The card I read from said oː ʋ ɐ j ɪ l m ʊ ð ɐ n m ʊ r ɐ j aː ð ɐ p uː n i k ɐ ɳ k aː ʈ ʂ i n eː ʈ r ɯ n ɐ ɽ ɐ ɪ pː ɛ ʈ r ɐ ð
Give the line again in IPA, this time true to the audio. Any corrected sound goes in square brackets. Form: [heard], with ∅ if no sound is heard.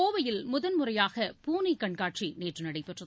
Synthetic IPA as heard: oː ʋ ɐ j ɪ l m ʊ ð ɐ n m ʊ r ɐ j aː [ɣ] ɐ p uː n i k ɐ ɳ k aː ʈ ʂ i n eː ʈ r ɯ n ɐ ɽ ɐ ɪ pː ɛ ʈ r ɐ ð